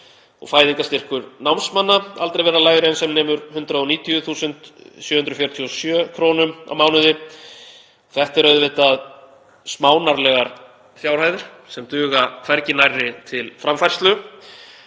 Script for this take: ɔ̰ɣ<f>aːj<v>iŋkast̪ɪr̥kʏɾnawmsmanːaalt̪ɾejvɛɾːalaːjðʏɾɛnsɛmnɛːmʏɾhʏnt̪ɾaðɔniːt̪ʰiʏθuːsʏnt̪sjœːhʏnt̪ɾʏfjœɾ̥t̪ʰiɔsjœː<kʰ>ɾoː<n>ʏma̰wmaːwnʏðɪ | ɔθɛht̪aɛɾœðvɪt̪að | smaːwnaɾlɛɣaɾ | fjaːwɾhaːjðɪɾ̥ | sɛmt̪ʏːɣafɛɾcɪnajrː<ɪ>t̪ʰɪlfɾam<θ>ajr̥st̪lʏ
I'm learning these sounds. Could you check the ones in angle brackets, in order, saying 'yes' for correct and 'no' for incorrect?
yes, no, yes, yes, yes, no

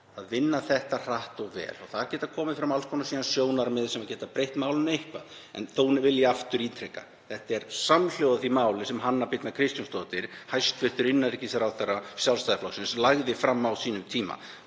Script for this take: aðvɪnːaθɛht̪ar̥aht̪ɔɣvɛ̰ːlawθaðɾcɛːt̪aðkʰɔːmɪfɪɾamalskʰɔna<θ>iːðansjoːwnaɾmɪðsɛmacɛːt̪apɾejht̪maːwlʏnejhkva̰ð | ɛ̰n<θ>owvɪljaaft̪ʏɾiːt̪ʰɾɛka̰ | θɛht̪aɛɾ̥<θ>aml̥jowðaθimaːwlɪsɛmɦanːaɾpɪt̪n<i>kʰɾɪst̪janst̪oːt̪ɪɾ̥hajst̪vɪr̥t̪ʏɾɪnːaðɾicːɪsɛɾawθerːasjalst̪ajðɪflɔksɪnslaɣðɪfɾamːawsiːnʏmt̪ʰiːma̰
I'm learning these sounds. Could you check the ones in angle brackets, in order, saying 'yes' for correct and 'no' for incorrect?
no, yes, no, no

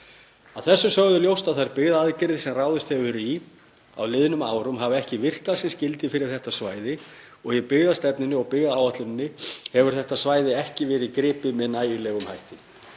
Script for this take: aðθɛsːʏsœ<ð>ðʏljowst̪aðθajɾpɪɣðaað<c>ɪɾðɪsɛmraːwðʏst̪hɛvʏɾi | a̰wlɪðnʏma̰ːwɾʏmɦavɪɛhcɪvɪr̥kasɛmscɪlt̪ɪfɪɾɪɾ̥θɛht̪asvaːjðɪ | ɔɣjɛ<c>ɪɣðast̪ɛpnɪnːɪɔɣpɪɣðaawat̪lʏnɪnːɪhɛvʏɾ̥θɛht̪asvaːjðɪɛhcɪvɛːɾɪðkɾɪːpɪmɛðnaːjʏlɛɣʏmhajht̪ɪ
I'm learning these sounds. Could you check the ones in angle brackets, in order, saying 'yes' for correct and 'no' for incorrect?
no, yes, no

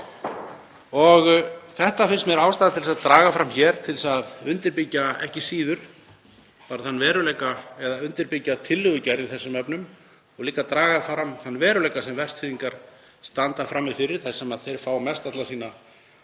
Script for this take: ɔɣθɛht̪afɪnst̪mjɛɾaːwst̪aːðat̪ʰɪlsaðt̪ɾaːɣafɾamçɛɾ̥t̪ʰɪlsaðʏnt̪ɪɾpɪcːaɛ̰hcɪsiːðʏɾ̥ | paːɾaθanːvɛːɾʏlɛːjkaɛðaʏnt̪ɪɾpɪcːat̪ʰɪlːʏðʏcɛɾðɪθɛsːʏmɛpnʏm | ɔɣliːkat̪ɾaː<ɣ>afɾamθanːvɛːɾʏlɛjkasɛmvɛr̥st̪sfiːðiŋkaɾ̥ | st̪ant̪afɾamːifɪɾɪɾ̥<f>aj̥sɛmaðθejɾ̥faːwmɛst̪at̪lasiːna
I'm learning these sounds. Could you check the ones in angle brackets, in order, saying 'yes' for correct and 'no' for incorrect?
yes, no

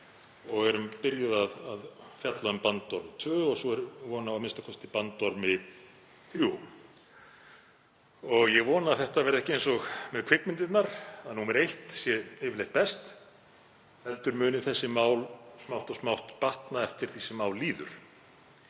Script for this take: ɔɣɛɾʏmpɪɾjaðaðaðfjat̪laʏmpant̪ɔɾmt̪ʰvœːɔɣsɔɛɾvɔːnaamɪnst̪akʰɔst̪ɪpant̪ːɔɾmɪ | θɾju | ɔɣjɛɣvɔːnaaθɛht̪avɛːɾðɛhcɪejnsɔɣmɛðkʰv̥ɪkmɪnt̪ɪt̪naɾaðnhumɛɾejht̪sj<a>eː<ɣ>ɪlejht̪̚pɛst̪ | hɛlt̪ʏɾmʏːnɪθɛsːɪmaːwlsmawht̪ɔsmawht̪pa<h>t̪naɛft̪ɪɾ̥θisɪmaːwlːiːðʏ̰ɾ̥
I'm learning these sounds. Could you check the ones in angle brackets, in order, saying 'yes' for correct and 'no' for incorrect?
no, no, yes

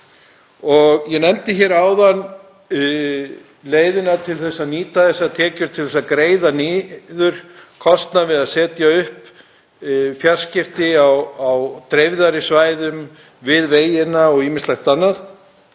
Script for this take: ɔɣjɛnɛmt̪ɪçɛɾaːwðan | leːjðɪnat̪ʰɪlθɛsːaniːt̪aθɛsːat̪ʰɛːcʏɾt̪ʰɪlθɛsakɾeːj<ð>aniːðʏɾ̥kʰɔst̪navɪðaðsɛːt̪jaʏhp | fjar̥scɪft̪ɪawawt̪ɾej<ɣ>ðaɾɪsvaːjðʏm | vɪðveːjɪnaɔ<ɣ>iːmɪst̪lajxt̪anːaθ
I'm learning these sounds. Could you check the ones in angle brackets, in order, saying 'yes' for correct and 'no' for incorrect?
yes, no, yes

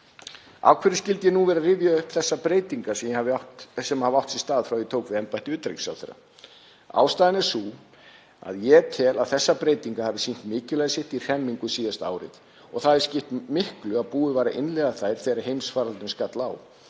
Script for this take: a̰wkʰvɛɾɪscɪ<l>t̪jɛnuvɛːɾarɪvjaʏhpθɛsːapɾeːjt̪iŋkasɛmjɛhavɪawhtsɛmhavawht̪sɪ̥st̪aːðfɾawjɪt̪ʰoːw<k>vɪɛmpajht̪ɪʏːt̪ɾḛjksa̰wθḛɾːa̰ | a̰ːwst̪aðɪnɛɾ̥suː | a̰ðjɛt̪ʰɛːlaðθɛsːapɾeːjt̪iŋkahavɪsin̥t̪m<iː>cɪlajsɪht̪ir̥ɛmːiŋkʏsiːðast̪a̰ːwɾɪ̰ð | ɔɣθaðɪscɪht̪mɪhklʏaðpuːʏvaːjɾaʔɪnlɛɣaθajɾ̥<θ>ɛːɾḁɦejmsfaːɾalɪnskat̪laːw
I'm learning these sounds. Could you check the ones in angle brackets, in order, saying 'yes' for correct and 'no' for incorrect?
yes, yes, no, yes

